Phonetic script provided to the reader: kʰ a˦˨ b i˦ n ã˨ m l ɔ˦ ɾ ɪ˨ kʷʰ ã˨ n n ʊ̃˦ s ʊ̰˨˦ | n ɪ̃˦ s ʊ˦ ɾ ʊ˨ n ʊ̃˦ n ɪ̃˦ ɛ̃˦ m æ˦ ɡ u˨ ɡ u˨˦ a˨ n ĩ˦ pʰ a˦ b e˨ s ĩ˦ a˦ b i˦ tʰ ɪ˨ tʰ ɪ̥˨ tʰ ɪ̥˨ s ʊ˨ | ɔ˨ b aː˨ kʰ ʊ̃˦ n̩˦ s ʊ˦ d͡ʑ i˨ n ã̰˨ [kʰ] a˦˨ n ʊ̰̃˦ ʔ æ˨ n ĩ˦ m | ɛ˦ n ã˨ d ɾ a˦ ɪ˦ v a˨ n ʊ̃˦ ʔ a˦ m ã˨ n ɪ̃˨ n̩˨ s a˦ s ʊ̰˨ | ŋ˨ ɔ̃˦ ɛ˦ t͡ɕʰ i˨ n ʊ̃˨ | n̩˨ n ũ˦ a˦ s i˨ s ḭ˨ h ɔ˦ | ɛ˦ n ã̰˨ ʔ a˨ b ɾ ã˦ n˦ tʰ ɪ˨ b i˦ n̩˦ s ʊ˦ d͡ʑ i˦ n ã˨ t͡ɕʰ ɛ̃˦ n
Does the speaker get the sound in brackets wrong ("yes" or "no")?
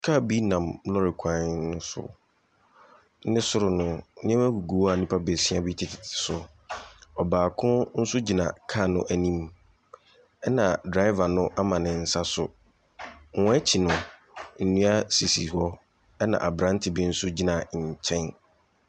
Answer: no